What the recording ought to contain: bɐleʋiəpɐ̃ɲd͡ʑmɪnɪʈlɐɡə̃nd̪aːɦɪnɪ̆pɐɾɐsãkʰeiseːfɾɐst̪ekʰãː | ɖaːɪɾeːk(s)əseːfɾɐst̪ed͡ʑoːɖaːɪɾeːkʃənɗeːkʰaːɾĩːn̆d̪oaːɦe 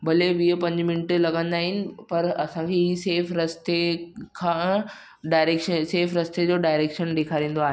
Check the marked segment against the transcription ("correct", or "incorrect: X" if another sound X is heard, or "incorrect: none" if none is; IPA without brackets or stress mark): incorrect: ʃ